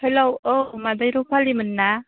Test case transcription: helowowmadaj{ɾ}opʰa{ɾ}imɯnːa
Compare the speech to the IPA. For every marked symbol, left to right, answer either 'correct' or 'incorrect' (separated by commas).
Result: correct, incorrect